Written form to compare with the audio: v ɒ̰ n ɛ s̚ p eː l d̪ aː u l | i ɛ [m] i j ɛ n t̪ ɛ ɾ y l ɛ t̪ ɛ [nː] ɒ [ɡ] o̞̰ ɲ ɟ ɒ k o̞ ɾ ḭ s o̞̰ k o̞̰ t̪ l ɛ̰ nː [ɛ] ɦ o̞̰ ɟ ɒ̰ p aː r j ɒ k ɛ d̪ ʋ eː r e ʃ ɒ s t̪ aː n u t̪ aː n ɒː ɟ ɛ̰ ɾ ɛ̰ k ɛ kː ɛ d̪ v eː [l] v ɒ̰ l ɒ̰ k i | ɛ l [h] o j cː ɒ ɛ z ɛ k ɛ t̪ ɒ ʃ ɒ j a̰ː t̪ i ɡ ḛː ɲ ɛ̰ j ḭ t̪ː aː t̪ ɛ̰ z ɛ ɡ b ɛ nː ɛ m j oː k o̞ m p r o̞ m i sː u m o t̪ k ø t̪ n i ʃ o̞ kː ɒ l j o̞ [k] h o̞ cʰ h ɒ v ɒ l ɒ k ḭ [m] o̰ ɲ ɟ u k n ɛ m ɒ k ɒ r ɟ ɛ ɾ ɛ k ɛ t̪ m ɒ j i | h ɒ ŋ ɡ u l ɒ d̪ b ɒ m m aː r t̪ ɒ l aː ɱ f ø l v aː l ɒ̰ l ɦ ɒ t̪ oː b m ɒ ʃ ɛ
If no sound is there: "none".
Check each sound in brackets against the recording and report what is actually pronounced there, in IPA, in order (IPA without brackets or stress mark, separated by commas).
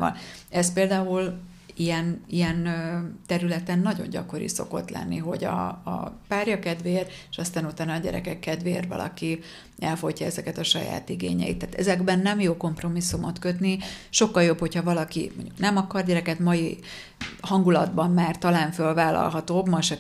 n, nː, ɟ, i, r, f, p, m